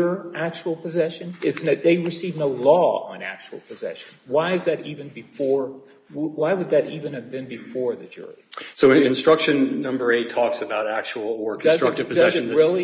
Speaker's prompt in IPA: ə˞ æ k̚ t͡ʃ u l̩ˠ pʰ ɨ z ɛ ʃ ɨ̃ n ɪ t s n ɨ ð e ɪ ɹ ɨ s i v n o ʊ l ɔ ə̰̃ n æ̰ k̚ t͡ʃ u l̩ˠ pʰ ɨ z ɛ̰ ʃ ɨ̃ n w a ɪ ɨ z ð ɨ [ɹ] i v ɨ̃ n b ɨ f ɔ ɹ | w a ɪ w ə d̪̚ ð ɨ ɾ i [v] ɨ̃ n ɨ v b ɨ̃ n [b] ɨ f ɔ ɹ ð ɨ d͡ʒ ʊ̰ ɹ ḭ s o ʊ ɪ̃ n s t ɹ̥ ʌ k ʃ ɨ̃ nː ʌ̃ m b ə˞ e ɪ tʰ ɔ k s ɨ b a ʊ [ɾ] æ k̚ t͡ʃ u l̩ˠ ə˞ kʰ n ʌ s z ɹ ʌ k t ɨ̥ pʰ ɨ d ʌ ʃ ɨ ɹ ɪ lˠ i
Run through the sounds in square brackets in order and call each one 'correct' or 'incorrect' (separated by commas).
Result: incorrect, correct, correct, correct